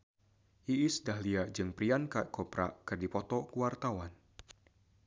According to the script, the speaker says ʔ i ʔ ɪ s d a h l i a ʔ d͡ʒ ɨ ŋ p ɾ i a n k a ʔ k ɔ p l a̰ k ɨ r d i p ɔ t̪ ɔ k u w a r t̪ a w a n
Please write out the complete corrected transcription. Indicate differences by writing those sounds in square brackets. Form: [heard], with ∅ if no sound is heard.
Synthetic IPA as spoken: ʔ i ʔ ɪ s d a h l i a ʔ d͡ʒ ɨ ŋ p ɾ i a n k a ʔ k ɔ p [ɾ] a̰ k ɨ r d i p ɔ t̪ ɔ k u w a r t̪ a w a n